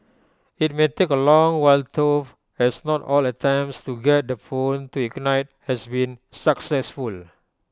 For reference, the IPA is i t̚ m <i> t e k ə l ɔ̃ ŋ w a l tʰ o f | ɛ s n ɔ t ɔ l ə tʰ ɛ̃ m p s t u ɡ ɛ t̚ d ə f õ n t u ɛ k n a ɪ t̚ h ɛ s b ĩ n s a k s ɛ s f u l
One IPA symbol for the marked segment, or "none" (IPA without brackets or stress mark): e